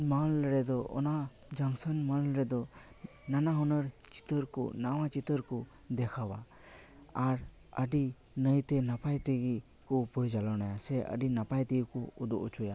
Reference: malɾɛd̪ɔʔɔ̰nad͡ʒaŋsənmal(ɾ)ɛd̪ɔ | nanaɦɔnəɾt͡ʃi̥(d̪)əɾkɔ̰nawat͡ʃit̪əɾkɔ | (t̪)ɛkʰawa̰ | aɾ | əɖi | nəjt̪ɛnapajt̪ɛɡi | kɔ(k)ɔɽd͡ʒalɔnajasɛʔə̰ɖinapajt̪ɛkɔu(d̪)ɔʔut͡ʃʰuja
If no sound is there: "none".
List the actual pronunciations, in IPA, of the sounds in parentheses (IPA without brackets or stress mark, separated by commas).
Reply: ɾ, t̪, d̪, p, d̪